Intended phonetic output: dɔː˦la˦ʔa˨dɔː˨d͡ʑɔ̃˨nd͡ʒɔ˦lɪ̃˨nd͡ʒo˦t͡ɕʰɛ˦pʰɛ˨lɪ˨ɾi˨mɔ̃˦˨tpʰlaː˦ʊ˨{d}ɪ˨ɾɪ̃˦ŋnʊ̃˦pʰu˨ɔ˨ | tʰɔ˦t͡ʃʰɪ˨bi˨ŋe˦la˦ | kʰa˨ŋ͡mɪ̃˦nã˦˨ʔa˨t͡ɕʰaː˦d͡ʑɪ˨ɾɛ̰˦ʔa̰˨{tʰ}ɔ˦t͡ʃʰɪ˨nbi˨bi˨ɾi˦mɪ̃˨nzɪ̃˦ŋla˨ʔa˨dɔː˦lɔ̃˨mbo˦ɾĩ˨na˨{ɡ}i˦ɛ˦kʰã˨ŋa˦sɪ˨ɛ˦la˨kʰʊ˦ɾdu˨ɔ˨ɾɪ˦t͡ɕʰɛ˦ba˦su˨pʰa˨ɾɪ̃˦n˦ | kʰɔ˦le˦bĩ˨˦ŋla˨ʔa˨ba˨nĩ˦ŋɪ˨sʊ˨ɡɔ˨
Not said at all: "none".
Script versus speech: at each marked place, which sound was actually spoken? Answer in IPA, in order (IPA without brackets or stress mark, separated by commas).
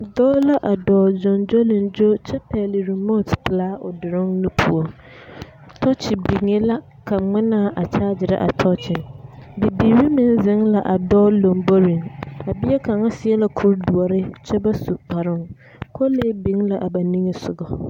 d, tʰ, b